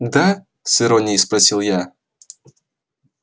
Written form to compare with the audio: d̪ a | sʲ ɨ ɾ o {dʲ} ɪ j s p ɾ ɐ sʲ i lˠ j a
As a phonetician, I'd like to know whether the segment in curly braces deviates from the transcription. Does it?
yes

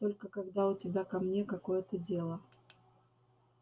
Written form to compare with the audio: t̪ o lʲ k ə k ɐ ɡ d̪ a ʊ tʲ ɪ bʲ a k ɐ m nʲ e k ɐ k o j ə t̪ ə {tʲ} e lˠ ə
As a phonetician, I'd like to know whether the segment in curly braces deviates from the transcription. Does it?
yes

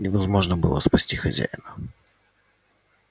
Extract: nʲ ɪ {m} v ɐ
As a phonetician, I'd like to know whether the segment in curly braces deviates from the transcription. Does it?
yes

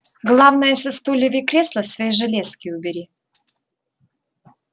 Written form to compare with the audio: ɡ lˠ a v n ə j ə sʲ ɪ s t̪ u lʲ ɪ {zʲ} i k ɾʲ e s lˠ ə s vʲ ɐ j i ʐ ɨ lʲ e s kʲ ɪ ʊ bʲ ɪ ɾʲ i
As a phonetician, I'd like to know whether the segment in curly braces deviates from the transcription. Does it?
yes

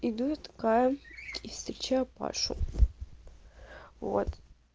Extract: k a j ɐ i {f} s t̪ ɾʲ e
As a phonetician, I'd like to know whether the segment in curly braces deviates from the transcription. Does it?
no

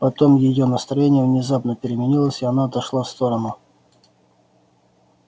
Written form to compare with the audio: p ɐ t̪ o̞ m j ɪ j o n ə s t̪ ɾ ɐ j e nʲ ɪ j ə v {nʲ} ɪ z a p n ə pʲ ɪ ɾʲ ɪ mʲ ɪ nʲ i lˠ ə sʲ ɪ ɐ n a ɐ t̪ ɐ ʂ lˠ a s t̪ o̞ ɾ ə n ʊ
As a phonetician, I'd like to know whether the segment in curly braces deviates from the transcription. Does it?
no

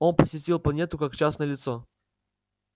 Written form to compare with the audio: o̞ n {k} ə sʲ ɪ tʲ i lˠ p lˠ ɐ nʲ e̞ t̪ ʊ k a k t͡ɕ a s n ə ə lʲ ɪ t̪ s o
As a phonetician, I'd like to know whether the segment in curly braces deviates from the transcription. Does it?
yes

